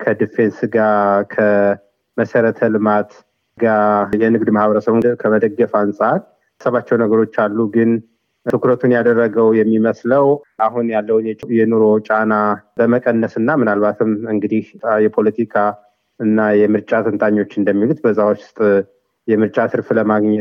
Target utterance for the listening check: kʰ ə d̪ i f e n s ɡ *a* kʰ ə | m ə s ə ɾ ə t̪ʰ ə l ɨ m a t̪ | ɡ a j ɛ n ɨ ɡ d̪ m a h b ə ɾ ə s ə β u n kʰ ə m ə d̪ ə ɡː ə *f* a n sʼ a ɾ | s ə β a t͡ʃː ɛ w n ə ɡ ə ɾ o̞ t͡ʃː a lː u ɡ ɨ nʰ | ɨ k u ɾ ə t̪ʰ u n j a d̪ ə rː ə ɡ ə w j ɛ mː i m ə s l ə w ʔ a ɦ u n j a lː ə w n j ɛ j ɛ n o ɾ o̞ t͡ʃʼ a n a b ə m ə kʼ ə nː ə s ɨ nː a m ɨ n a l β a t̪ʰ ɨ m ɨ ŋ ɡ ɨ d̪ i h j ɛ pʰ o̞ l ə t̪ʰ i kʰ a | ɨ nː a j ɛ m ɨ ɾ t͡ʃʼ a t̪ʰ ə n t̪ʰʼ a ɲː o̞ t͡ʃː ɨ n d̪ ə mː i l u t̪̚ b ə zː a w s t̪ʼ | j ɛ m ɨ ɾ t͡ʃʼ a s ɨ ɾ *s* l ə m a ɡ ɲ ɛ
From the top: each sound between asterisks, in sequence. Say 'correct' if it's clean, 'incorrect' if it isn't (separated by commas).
correct, correct, incorrect